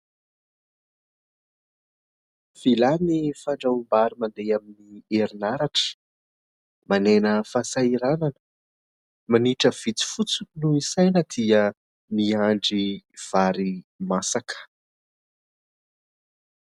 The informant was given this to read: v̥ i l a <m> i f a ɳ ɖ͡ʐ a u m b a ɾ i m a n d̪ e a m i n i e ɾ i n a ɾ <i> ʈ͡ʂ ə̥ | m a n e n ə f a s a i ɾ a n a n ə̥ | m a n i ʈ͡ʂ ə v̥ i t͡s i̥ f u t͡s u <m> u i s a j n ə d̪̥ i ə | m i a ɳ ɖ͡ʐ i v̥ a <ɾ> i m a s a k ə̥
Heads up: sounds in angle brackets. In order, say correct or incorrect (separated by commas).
incorrect, incorrect, incorrect, correct